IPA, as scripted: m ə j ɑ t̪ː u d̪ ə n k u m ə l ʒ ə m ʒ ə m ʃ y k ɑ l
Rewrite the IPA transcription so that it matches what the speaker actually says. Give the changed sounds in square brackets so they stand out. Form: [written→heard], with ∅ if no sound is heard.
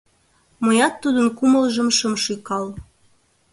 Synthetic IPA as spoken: m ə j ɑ t̪ː u d̪ ə n k u m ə l ʒ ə m [ʒ→ʃ] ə m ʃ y k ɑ l